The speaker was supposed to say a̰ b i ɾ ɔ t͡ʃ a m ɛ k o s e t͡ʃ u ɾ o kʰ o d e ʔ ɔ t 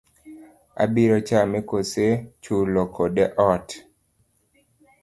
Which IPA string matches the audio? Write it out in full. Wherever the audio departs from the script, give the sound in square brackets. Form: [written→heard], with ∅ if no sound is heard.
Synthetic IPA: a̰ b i ɾ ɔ t͡ʃ a m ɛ k o s e t͡ʃ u [ɾ→l] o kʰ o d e ʔ ɔ t